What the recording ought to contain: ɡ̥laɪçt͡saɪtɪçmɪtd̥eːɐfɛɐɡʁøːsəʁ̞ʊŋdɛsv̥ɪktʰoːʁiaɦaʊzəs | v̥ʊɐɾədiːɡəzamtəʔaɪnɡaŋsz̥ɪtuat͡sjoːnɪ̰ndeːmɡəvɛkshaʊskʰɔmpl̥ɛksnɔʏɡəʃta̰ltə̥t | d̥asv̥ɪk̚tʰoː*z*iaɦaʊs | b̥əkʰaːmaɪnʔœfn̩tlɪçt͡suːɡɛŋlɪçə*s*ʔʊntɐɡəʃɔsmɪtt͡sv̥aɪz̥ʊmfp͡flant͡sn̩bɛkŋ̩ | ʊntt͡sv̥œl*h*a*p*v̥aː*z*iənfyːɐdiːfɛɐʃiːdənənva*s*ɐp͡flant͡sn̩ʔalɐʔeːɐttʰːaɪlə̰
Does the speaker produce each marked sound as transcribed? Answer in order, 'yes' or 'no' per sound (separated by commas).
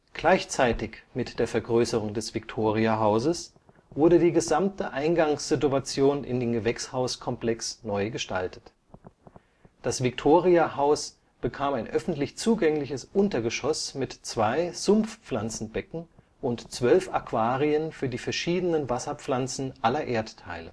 no, yes, no, no, no, yes